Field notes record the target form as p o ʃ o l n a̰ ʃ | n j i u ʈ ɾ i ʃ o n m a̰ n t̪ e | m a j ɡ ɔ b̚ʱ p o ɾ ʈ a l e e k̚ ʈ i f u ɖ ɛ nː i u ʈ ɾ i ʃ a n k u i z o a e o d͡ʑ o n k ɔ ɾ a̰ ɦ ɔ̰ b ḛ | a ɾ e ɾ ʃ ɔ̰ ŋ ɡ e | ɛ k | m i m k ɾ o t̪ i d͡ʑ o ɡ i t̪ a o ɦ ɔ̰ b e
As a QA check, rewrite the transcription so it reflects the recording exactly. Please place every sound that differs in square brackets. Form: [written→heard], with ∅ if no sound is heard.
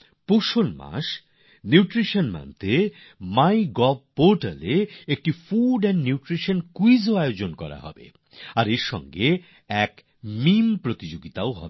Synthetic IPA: p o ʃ o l [n→m] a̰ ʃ | n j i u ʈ ɾ i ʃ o n m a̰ n t̪ e | m a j ɡ ɔ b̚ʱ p o ɾ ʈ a l e e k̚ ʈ i f u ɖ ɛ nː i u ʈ ɾ i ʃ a n k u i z o a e o d͡ʑ o n k ɔ ɾ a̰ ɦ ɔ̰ b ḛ | a ɾ e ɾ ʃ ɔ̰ ŋ ɡ e | ɛ k | m i m [k→p] ɾ o t̪ i d͡ʑ o ɡ i t̪ a o ɦ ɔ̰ b e

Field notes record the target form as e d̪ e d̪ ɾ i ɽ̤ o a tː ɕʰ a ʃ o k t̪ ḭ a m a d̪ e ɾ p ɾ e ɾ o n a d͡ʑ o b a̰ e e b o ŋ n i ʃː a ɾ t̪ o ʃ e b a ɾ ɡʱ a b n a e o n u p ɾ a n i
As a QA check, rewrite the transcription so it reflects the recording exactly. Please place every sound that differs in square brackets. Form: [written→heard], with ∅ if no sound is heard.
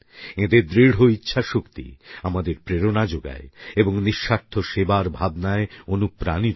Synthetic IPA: e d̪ e d̪ ɾ i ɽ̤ o [a→i] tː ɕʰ a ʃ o k t̪ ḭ a m a d̪ e ɾ p ɾ e ɾ o n a d͡ʑ o [b→ɡ] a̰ e e b o ŋ n i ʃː a ɾ [t̪→t̪ʰ] o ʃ e b a ɾ [ɡʱ→bʱ] a b n a e o n u p ɾ a n i

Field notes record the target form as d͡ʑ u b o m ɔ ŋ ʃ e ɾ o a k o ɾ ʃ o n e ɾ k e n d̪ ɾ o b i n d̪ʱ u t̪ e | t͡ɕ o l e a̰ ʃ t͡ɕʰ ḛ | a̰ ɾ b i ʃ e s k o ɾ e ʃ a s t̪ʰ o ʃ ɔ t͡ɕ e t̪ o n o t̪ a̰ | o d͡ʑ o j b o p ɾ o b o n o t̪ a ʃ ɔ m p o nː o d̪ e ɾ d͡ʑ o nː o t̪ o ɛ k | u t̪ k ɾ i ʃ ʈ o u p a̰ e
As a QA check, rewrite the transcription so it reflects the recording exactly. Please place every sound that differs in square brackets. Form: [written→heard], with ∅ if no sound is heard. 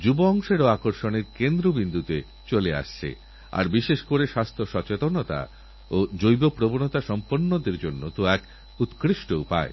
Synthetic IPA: d͡ʑ u b o [m→∅] ɔ ŋ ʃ e ɾ o a k o ɾ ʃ o n e ɾ k e n d̪ ɾ o b i n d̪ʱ u t̪ e | t͡ɕ o l e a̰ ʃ t͡ɕʰ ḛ | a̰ ɾ b i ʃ e [s→ʃ] k o ɾ e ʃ a s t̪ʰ o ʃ ɔ t͡ɕ e t̪ o n o t̪ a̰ | o d͡ʑ o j b o p ɾ o b o n o t̪ a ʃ ɔ m p o nː o d̪ e ɾ d͡ʑ o nː o t̪ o ɛ k | u t̪ k ɾ i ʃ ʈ o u p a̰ e

